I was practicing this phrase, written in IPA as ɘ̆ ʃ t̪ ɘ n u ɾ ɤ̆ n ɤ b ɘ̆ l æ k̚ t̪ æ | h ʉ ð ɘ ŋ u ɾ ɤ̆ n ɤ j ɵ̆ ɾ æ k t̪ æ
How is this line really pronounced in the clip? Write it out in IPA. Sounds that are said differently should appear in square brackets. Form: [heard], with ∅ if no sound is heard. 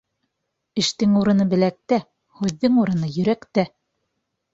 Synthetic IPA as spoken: ɘ̆ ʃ t̪ ɘ [ŋ] u ɾ ɤ̆ n ɤ b ɘ̆ l æ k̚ t̪ æ | h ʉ [ðː] ɘ ŋ u ɾ ɤ̆ n ɤ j ɵ̆ ɾ æ k t̪ æ